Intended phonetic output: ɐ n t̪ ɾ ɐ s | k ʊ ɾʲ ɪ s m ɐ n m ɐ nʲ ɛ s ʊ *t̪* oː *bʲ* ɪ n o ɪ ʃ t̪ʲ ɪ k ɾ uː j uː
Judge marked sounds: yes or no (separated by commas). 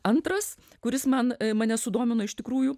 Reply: no, no